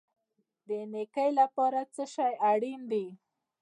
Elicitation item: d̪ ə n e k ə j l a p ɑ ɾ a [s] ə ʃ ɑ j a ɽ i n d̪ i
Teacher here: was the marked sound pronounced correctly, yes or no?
no